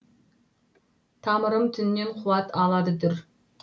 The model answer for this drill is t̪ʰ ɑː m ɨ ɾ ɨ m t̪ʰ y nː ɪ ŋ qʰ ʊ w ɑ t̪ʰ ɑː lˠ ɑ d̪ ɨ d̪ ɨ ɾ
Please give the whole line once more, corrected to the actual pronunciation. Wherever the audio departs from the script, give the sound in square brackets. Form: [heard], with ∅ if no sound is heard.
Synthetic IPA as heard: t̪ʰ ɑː m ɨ ɾ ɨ m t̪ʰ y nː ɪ [n] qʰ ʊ w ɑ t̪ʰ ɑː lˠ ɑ d̪ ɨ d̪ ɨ ɾ